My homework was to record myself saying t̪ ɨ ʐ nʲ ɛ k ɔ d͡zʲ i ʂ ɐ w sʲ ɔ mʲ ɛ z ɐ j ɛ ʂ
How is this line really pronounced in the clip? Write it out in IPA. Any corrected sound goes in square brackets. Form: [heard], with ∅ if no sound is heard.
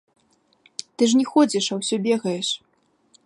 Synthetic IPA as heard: t̪ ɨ ʐ nʲ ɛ [x] ɔ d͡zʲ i ʂ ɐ w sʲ ɔ [bʲ] ɛ [ɣ] ɐ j ɛ ʂ